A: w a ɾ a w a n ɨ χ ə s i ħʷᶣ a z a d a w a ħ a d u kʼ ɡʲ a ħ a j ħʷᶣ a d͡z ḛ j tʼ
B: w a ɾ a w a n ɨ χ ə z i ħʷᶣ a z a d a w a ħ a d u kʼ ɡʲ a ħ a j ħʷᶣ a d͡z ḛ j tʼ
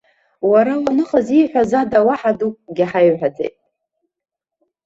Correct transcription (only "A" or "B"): B